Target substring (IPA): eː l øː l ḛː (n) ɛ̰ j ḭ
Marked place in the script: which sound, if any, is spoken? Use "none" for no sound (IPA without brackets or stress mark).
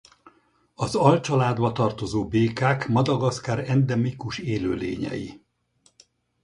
ɲ